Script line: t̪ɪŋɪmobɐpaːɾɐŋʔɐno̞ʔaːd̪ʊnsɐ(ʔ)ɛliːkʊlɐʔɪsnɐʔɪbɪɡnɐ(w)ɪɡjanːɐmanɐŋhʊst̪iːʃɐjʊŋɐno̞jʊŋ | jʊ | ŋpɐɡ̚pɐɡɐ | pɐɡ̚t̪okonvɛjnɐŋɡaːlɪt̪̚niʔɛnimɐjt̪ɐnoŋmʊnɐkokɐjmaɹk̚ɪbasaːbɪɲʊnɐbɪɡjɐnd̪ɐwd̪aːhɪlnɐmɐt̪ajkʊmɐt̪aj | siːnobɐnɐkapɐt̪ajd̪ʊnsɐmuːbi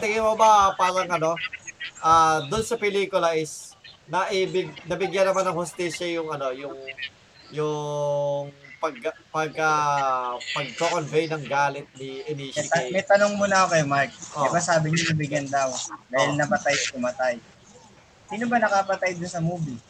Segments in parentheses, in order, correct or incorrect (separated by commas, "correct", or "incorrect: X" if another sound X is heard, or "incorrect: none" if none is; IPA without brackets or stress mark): incorrect: p, incorrect: b